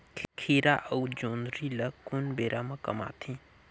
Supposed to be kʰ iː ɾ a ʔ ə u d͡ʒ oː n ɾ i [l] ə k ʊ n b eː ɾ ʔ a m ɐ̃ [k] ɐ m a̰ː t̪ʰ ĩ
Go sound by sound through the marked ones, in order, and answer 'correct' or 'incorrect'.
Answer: correct, correct

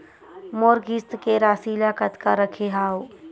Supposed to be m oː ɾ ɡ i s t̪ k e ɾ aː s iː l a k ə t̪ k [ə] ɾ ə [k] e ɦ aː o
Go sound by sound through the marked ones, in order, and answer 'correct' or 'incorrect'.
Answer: incorrect: a, incorrect: kʰ

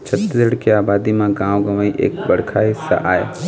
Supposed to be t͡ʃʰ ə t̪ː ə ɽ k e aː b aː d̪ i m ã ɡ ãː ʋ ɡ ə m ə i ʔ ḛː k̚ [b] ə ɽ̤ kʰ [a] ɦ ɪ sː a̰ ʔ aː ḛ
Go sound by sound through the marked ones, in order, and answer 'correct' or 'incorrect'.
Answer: correct, correct

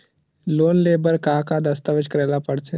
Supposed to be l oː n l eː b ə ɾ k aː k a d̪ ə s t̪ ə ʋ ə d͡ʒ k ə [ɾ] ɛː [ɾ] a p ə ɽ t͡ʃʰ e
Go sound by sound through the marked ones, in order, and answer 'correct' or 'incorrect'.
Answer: correct, incorrect: l

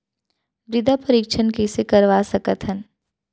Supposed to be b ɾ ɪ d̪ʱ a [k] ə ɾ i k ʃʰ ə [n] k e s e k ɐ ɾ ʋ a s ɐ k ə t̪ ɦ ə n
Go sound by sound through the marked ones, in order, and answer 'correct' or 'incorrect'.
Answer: incorrect: p, correct

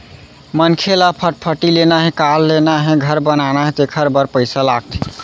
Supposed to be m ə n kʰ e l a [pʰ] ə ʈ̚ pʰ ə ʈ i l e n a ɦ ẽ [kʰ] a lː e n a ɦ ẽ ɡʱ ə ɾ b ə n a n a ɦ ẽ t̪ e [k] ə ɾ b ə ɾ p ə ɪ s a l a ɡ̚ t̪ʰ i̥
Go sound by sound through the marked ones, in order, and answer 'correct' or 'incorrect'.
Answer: correct, incorrect: k, incorrect: kʰ

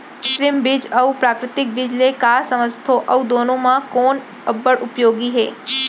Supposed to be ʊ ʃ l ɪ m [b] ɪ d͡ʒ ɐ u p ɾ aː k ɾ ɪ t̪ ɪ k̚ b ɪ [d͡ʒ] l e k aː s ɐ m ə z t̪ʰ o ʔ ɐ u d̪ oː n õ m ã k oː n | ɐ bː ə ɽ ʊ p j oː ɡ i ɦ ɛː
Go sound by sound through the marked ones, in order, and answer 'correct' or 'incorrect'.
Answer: correct, correct

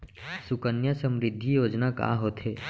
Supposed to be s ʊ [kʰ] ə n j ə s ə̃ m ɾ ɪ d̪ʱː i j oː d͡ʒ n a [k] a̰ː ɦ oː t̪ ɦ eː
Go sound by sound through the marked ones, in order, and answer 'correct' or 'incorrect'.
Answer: incorrect: k, correct

